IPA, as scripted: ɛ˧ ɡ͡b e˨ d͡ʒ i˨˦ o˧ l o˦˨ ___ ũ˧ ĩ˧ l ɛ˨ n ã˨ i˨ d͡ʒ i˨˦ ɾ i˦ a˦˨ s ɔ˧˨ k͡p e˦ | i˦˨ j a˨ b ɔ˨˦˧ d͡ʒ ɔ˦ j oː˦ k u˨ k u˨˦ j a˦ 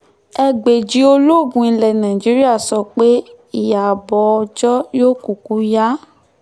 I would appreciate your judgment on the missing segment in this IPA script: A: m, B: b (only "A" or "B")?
B